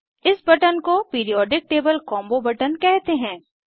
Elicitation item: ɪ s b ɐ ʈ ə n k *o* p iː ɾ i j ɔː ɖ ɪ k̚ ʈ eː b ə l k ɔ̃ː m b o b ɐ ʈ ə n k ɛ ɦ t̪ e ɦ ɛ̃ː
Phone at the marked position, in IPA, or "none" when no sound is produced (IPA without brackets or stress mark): o